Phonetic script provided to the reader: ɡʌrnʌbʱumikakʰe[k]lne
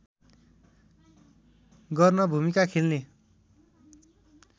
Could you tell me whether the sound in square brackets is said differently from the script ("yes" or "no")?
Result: yes